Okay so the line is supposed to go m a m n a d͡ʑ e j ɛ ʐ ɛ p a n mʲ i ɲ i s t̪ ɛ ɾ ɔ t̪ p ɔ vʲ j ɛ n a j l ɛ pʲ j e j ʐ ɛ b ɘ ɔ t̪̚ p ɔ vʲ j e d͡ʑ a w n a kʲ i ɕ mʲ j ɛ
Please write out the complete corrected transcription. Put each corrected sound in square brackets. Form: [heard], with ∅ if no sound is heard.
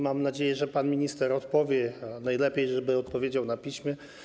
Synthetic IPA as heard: m a m n a d͡ʑ e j ɛ ʐ ɛ p a n mʲ i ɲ i s t̪ ɛ ɾ ɔ t̪ p ɔ vʲ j ɛ n a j l ɛ pʲ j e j ʐ ɛ b ɘ ɔ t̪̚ p ɔ vʲ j e d͡ʑ a w n a [pʲ] i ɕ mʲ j ɛ